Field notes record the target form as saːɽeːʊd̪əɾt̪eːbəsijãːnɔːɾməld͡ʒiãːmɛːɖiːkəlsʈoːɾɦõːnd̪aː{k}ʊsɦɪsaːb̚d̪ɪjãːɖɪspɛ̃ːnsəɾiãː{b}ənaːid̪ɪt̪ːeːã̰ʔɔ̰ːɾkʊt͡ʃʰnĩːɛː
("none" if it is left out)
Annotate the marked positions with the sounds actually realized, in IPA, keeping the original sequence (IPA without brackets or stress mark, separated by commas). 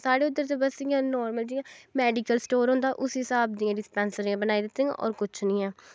ʔ, b